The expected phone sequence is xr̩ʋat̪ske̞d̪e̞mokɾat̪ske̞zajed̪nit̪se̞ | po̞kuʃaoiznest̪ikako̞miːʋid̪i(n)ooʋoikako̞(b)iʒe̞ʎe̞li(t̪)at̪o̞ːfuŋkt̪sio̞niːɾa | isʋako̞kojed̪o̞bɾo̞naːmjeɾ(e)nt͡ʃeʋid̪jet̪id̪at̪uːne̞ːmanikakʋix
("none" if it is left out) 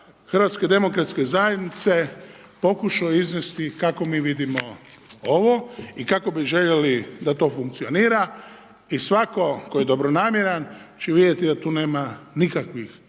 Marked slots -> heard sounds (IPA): m, b, d̪, a

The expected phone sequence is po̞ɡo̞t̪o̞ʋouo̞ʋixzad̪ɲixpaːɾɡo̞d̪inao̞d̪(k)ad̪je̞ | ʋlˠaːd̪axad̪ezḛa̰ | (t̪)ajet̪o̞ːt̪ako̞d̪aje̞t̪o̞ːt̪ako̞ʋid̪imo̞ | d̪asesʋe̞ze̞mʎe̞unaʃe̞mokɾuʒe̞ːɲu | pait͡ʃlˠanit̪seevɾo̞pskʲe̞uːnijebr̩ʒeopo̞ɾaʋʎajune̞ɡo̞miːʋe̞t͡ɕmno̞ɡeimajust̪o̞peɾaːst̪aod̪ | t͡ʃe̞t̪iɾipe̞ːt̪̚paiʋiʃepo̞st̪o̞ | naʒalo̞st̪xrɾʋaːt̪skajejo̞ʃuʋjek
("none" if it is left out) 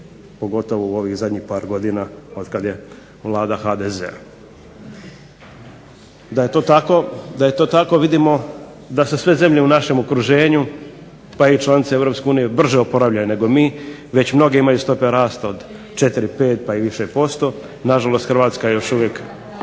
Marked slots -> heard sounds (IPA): k, d̪

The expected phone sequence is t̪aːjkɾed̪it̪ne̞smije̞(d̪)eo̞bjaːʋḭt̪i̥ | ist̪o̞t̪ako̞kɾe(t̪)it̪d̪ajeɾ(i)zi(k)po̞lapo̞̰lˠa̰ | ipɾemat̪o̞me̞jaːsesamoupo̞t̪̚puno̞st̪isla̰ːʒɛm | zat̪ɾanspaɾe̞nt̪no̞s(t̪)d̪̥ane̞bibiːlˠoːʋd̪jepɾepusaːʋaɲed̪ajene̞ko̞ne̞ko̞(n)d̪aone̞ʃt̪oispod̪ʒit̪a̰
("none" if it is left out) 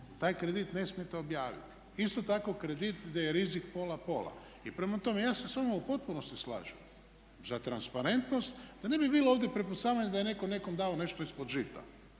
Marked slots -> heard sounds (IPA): t̪, d̪, i, k, t̪, m

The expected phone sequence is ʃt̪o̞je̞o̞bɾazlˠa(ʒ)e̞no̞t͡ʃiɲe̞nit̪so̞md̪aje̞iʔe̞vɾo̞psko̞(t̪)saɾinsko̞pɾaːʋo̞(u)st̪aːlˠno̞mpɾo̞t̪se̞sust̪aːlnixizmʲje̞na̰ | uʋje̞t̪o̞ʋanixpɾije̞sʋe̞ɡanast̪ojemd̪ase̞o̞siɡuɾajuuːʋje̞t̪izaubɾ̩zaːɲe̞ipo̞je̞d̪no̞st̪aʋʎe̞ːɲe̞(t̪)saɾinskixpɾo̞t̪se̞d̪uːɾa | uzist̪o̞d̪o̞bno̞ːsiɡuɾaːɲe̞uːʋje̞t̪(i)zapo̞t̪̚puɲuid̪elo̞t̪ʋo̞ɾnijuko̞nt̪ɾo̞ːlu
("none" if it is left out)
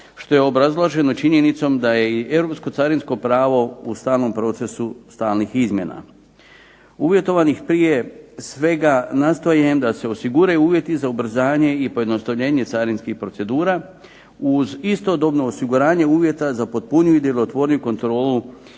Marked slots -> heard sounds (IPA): ʒ, t̪, u, t̪, a

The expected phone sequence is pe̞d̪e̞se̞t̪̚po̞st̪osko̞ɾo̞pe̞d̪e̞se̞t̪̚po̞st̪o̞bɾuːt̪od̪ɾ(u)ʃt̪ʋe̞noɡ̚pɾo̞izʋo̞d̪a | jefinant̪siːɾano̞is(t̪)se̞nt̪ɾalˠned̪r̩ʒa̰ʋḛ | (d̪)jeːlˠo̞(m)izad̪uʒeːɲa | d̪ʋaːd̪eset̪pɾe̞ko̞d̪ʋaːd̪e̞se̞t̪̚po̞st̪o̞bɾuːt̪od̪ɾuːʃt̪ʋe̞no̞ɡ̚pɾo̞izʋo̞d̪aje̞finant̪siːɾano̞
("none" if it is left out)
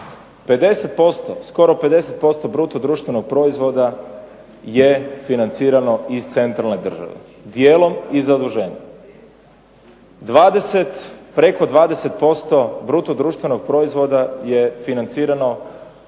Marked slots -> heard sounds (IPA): uː, t̪, d̪, m

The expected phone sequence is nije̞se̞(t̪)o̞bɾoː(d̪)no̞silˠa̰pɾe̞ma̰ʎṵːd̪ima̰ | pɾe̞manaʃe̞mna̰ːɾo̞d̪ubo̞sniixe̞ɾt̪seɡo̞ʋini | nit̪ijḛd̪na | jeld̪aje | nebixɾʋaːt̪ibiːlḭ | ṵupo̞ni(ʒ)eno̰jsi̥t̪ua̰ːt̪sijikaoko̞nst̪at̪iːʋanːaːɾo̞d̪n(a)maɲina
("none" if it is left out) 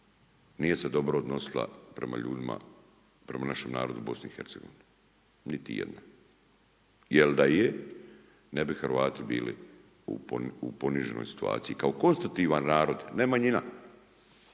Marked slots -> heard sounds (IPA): d̪, d̪, ʒ, e

